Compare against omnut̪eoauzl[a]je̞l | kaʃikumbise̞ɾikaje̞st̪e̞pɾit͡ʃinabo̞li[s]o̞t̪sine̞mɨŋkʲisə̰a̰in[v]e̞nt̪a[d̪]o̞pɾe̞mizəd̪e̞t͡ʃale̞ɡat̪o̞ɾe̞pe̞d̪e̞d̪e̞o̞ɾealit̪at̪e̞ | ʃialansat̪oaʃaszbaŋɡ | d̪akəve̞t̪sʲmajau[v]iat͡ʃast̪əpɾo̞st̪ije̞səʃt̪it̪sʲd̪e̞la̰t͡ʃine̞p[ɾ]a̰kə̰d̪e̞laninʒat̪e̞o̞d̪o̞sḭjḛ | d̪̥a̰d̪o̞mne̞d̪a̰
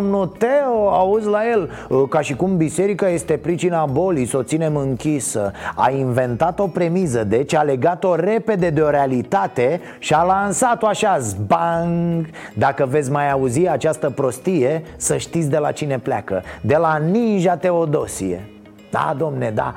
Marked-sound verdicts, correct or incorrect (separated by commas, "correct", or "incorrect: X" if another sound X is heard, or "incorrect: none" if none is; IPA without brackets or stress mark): correct, correct, correct, incorrect: t̪, incorrect: z, incorrect: l